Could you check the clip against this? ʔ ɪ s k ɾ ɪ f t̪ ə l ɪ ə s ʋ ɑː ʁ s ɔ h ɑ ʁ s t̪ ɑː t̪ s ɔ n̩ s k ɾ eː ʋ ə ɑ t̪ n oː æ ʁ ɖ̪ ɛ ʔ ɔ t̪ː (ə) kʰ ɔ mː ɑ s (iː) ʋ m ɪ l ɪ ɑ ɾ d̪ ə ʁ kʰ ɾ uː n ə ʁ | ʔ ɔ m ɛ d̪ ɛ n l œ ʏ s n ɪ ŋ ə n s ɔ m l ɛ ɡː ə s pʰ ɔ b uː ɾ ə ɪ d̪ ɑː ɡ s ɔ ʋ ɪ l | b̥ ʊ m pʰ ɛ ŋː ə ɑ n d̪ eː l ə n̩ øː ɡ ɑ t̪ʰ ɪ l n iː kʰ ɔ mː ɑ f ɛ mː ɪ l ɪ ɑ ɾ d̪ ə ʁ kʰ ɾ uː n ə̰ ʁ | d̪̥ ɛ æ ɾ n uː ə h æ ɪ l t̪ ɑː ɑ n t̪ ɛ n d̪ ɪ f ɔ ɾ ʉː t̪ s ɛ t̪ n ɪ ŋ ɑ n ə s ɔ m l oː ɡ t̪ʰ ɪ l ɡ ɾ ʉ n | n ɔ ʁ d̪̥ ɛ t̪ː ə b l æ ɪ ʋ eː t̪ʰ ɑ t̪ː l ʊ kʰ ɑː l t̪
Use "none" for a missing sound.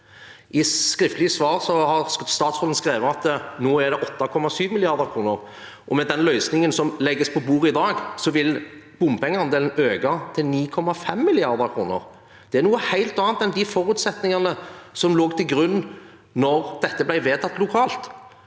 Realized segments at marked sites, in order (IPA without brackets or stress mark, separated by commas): ɑ, yː